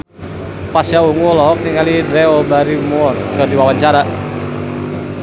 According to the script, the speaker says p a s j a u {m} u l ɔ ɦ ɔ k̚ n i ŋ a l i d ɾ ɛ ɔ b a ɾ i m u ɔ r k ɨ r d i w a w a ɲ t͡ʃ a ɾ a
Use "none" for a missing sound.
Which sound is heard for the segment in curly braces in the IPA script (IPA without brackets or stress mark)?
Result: ŋ